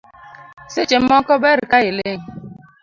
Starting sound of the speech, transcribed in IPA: s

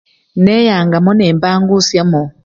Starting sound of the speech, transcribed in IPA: n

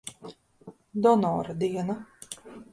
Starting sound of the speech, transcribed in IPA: d̪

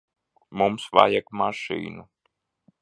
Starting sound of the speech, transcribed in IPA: m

